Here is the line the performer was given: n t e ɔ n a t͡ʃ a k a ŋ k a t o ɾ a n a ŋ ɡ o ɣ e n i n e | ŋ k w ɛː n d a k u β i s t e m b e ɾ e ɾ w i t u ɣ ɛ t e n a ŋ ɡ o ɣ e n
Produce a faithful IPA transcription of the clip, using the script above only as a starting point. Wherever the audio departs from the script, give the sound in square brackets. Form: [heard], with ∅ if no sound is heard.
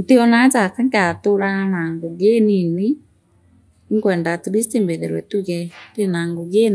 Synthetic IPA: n t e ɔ n a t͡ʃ a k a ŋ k a t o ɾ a n a ŋ ɡ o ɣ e n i n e | ŋ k w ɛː n d a [t] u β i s t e m b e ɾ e ɾ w [ɛ] t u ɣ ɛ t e n a ŋ ɡ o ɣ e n

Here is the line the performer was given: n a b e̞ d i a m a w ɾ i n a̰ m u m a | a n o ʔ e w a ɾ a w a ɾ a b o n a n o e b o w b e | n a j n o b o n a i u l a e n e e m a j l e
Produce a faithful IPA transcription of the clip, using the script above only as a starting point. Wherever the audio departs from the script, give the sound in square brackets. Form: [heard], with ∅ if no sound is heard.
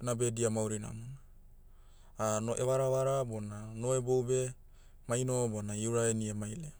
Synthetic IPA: n a b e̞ d i a m a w ɾ i n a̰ m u [n] a | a n o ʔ e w a ɾ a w a ɾ a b o n a n o e b o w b e | [m] a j n o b o n a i u [ɾ] a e n [i] e m a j l e

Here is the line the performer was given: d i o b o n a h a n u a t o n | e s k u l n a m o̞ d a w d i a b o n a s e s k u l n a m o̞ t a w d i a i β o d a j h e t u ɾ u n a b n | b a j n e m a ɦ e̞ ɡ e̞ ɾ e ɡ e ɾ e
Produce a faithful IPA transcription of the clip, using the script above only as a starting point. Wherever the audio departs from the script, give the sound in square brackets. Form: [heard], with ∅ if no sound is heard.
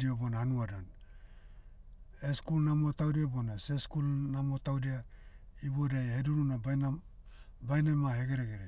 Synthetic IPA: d i o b o n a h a n u a [d] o n | e s k u l n a m o̞ [t] a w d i a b o n a s e s k u l n a m o̞ t a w d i a i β o d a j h e [d] u ɾ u n a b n | b a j n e m a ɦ e̞ ɡ e̞ ɾ e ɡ e ɾ e

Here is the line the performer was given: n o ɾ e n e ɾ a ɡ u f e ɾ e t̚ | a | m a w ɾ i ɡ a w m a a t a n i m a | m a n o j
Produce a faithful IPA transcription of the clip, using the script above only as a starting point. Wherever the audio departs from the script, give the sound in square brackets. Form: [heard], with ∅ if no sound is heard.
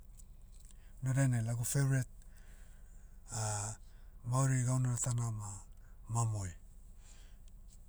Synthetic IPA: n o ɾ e n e [l] a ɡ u f e ɾ e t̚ | a | m a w ɾ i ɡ a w [n] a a t a n [a] m a | m a [m] o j

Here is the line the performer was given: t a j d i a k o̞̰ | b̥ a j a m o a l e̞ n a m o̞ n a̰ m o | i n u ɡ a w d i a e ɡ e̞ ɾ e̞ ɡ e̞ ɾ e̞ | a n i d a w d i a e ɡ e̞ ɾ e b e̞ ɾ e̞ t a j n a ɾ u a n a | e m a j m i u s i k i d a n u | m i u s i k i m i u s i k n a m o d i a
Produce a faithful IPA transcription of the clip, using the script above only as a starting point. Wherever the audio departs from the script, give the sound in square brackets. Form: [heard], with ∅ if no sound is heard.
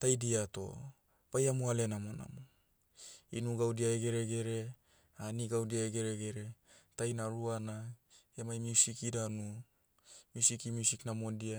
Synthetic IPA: t a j d i a [t] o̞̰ | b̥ a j a m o a l e̞ n a m o̞ n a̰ m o | i n u ɡ a w d i a e ɡ e̞ ɾ e̞ ɡ e̞ ɾ e̞ | a n i [ɡ] a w d i a e ɡ e̞ ɾ e [ɡ] e̞ ɾ e̞ t a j n a ɾ u a n a | e m a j m i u s i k i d a n u | m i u s i k i m i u s i k n a m o d i a

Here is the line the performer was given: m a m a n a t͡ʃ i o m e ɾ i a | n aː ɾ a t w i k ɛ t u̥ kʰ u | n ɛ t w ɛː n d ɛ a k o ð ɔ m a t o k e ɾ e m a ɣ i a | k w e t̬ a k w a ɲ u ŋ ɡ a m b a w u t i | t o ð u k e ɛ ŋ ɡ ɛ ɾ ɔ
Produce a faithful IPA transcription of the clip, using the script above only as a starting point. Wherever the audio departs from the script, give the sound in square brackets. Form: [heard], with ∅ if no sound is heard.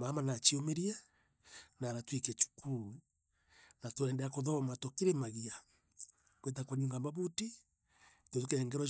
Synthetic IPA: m a m a n a t͡ʃ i o m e ɾ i a | n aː ɾ a t w i k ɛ [t͡ʃ] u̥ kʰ u | n [a] t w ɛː n d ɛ a k o ð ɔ m a t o k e ɾ e m a ɣ i a | k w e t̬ a k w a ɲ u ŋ ɡ a m b a [β] u t i | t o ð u k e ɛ ŋ ɡ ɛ ɾ ɔ

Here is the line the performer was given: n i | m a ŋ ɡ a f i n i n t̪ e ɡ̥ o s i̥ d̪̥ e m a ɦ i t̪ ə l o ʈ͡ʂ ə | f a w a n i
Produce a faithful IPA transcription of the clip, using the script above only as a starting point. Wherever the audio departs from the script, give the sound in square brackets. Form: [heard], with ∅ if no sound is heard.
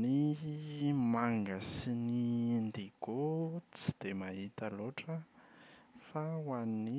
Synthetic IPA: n i | m a ŋ ɡ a [s] i n i n [d̪] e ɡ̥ o [t͡s] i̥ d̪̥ e m a ɦ i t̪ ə l o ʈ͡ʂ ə | f a w a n i

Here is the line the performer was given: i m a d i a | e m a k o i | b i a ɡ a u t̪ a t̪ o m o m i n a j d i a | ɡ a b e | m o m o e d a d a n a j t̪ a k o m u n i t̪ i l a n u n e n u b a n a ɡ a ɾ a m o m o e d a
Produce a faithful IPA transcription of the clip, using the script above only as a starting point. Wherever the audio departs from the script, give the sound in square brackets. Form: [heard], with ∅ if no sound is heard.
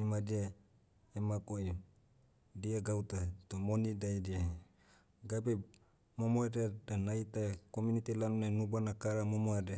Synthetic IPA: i m a d i a | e m a k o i | [d] i a ɡ a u t̪ a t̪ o m o [n] i [d] a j d i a | ɡ a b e | m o m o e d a d a n a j t̪ a k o m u n i t̪ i l a n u n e n u b a n a [k] a ɾ a m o m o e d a

